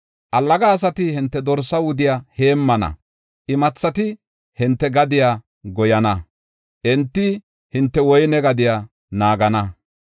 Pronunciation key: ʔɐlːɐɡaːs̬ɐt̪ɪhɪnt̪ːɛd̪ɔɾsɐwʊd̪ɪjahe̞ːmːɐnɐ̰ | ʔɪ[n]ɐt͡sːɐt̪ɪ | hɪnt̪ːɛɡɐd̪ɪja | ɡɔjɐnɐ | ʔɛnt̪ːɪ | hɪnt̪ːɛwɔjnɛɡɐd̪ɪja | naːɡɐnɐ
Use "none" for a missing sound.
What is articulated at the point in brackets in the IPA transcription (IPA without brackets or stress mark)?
m